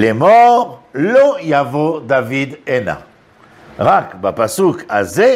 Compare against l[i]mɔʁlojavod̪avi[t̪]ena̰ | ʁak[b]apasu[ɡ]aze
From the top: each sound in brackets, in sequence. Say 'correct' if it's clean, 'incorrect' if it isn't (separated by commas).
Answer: incorrect, incorrect, correct, incorrect